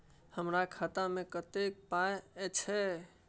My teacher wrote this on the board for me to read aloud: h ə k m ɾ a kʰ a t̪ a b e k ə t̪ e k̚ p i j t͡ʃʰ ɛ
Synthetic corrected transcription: h ə m ɾ a kʰ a t̪ a m e k ə t̪ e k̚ p a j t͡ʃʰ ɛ